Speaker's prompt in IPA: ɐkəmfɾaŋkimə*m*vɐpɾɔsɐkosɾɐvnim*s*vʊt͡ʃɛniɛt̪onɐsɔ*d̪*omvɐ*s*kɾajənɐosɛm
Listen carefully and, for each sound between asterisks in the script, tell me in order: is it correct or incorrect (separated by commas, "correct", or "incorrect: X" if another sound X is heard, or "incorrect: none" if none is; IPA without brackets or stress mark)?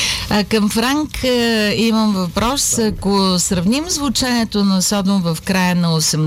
correct, incorrect: z, correct, incorrect: f